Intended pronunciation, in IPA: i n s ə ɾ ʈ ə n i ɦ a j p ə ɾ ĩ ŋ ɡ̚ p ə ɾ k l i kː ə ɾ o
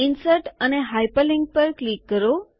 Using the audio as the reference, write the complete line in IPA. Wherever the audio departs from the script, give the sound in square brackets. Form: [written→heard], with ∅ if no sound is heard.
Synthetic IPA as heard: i n s ə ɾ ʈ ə n [i→e] ɦ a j p ə [ɾ→l] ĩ ŋ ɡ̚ p ə ɾ k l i kː ə ɾ o